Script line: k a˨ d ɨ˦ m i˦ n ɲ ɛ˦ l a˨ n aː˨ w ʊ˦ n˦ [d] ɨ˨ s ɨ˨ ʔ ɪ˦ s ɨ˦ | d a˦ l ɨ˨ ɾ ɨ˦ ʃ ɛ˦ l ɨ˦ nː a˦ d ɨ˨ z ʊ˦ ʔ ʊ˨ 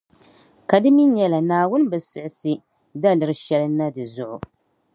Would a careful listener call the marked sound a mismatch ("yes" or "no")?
yes